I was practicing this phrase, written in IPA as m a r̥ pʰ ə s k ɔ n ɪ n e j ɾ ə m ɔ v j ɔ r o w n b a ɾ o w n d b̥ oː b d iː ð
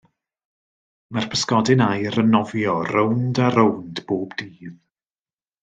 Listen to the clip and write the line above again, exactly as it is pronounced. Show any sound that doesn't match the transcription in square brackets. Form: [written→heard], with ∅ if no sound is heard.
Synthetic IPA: m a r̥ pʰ ə s k ɔ [n→d] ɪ n [e→a] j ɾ ə [m→n] ɔ v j ɔ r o w n [b→d] a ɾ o w n d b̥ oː b d iː ð